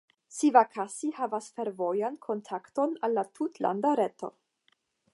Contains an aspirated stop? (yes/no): yes